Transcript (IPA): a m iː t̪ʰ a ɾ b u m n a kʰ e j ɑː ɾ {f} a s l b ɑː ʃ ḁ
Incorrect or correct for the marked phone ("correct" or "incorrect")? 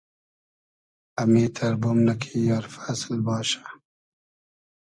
correct